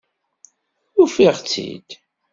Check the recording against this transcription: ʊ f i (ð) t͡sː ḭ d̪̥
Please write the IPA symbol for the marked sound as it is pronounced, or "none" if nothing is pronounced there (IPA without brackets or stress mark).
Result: ʁ